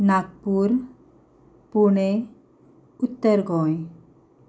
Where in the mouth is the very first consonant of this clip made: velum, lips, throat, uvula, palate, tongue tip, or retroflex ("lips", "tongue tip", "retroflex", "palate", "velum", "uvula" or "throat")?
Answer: tongue tip